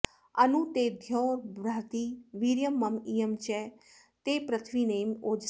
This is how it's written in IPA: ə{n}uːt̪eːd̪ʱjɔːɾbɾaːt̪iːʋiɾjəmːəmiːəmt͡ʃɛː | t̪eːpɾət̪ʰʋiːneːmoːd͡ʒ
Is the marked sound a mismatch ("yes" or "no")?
no